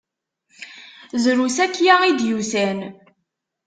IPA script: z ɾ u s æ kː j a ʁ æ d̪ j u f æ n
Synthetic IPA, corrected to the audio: z ɾ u s æ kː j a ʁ i d̪ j u s æ n